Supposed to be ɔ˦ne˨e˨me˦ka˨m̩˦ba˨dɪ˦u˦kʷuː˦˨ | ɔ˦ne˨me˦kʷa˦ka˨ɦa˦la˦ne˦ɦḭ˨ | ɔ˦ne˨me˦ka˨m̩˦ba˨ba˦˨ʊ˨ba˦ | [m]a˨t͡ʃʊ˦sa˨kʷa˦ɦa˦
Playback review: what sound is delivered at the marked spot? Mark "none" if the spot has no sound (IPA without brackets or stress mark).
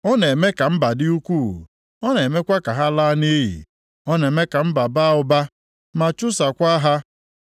m